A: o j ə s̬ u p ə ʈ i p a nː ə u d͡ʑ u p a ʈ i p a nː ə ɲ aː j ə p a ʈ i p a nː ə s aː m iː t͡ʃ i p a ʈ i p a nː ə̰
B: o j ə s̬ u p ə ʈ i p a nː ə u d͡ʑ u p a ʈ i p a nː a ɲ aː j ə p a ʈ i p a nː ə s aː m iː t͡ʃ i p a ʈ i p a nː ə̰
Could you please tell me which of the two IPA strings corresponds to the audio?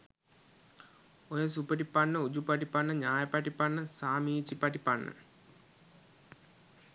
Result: A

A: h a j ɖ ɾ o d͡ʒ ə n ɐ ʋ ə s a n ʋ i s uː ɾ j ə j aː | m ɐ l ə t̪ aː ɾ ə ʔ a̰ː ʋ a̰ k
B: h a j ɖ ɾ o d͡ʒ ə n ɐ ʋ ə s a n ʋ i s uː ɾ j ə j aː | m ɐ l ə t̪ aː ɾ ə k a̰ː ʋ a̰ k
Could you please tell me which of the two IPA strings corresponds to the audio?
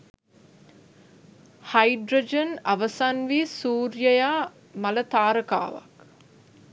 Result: B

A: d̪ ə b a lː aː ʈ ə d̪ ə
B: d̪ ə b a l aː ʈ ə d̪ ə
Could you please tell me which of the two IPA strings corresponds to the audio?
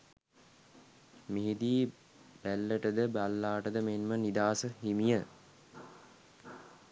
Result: A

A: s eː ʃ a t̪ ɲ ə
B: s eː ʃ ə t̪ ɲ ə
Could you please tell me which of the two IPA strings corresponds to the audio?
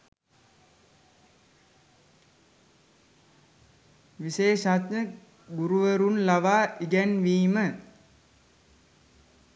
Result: A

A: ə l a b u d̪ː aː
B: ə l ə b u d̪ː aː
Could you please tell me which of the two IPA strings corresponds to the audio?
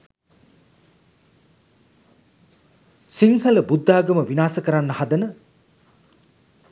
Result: B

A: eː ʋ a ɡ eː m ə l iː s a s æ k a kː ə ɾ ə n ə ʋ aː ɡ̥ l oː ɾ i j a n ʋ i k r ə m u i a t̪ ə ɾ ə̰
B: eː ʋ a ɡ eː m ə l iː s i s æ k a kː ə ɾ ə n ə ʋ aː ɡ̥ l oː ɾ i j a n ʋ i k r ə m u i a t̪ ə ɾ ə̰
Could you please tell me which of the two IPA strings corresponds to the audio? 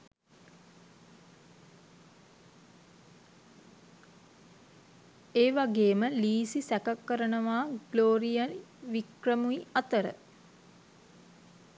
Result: B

